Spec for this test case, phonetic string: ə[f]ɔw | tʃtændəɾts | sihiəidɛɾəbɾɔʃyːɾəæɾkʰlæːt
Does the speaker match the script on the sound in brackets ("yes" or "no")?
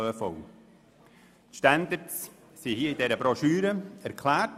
yes